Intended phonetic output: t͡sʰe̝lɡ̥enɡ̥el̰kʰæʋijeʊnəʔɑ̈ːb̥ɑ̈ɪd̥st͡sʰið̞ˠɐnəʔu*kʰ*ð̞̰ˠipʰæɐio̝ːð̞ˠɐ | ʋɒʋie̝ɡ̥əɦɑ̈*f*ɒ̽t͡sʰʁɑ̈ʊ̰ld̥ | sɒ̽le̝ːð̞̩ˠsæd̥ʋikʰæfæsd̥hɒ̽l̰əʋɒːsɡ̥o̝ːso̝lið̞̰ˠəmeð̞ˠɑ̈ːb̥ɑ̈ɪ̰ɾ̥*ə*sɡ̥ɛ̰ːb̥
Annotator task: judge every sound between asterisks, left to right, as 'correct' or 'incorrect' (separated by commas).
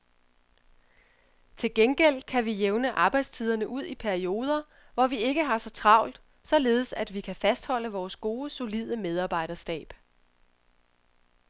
incorrect, incorrect, incorrect